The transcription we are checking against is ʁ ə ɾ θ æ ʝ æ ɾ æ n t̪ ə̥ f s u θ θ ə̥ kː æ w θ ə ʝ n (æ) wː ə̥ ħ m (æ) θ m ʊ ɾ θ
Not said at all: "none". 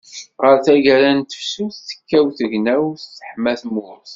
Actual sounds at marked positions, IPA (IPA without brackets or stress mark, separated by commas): æ, æ